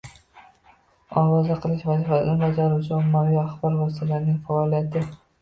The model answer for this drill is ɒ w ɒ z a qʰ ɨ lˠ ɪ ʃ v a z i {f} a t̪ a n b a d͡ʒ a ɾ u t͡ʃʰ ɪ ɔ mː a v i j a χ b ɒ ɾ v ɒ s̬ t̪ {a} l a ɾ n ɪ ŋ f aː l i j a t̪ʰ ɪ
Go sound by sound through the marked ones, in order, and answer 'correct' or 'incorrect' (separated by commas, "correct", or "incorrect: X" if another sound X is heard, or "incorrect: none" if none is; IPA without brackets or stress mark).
correct, correct